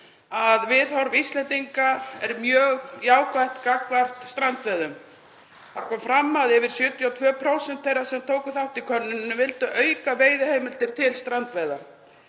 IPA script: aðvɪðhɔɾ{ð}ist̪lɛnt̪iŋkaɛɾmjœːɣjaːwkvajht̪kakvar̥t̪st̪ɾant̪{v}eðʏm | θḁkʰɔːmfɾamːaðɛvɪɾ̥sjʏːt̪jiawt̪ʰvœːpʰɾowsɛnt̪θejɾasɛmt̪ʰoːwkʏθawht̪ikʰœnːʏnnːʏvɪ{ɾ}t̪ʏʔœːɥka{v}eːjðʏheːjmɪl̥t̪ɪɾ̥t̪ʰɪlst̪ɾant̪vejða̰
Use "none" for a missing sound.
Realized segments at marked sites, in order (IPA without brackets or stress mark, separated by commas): v, v, l, v